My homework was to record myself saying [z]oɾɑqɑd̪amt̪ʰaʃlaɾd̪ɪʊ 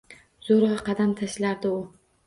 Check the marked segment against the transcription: correct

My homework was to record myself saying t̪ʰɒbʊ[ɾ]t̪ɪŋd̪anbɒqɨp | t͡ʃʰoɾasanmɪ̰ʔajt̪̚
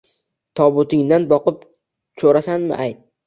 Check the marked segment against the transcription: incorrect: none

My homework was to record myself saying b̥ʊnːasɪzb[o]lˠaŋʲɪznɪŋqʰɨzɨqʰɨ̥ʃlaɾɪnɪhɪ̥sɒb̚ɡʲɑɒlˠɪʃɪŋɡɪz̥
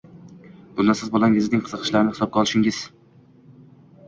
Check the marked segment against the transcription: correct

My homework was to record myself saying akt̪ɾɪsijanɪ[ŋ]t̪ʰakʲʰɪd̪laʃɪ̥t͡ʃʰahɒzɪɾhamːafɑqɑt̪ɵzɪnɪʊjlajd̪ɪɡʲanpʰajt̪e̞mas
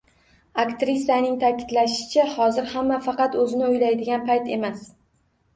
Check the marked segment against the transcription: correct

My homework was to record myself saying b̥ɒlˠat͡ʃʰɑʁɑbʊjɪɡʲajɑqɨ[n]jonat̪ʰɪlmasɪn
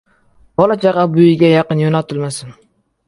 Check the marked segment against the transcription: correct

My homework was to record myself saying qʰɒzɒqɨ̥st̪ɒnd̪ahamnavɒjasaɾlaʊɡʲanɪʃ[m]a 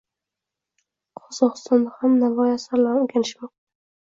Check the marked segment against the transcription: correct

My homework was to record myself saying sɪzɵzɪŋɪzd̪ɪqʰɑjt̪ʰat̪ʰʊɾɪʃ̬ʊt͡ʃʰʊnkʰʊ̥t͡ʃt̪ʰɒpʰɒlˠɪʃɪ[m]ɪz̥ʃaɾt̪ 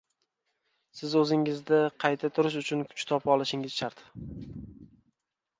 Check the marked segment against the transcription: incorrect: ŋ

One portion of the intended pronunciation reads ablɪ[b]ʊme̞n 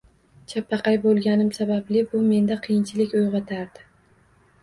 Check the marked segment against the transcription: correct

